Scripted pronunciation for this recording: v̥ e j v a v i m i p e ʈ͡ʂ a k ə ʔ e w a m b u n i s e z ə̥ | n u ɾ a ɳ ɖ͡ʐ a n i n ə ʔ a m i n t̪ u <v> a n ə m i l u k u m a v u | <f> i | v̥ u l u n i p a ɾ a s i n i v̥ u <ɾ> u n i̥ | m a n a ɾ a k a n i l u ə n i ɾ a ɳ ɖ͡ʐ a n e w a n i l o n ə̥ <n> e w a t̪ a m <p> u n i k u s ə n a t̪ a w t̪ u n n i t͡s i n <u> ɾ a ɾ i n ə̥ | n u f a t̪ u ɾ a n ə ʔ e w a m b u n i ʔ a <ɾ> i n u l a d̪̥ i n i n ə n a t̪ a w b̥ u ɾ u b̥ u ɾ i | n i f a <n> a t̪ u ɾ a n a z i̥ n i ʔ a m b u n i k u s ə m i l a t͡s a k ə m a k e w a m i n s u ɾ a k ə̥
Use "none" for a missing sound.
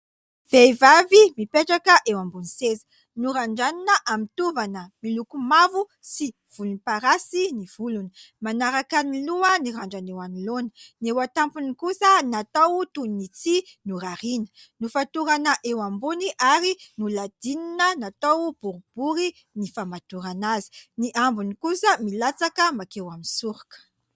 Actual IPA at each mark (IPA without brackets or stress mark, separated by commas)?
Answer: v, s, l, n, p, u, ɾ, m